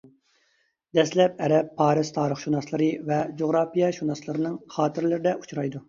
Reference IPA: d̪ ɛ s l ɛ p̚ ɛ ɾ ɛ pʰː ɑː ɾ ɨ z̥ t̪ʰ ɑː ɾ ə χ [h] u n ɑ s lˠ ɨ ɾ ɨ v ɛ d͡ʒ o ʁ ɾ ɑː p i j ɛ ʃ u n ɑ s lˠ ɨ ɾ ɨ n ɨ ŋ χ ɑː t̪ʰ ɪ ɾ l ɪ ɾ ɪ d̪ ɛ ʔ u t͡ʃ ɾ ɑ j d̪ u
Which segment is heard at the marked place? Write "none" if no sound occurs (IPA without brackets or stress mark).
ʃ